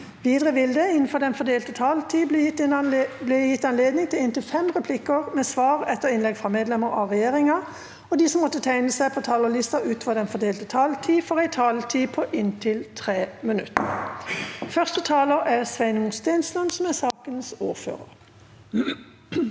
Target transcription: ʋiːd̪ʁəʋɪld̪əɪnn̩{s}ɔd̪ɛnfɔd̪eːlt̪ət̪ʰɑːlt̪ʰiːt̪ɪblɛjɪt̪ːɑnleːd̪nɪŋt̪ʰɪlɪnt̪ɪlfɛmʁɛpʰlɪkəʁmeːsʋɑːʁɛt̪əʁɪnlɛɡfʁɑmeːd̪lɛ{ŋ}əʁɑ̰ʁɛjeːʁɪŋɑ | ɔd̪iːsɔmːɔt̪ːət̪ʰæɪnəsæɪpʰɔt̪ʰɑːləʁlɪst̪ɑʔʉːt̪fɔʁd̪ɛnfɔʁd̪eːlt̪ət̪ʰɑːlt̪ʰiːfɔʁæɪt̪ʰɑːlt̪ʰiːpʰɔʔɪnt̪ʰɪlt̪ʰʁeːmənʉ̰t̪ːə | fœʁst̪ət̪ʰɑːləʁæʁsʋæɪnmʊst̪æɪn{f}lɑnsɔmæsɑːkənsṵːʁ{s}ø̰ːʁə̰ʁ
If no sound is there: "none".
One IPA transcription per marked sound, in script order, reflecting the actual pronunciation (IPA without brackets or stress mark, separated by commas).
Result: f, m, s, f